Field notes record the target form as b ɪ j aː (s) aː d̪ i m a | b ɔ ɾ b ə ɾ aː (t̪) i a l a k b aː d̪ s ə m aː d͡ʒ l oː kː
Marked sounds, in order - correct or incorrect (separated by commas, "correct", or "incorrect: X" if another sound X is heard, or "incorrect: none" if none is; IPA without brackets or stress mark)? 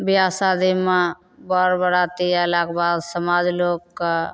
correct, correct